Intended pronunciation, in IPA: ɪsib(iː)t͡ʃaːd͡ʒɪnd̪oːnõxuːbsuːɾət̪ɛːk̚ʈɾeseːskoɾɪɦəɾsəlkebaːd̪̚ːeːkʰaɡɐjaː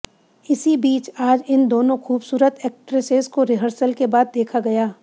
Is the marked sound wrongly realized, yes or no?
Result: no